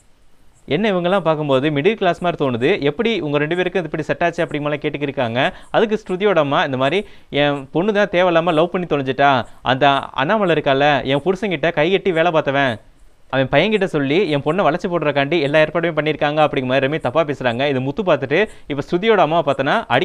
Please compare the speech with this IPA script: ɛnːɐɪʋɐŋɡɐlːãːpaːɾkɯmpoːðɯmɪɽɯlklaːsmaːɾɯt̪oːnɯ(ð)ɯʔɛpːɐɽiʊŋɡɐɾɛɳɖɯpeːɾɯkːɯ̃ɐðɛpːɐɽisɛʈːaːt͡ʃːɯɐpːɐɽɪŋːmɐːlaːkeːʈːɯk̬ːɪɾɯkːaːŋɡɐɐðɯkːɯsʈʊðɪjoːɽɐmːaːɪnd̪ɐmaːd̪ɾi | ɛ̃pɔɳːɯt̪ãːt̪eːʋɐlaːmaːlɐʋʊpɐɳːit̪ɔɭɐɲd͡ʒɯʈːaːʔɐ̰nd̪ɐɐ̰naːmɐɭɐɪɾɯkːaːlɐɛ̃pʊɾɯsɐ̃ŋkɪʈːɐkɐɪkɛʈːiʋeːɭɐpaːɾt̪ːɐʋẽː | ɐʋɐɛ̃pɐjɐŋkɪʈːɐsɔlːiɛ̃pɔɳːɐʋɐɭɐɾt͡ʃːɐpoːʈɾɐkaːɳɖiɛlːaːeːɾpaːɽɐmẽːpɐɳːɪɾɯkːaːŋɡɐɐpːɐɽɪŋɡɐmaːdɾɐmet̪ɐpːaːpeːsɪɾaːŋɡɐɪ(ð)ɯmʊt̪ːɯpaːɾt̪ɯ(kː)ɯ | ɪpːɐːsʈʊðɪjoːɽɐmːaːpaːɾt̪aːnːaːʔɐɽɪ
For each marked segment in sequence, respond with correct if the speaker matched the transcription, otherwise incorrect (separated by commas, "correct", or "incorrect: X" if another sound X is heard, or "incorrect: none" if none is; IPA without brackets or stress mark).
correct, correct, incorrect: ʈː